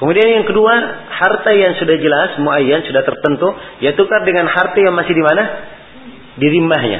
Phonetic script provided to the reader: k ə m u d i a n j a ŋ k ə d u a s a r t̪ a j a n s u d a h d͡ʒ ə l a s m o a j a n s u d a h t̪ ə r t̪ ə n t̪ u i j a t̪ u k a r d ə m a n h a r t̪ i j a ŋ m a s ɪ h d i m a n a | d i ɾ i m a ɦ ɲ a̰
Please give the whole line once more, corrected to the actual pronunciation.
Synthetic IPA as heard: k ə m u d i a n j a ŋ k ə d u a h a r t̪ a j a ŋ s u d a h d͡ʒ ə l a s m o a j a n s u d a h t̪ ə r t̪ ə n t̪ u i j a t̪ u k a r d ə ŋ a n h a r t̪ a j a ŋ m a s ɪ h d i m a n a | d i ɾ i m a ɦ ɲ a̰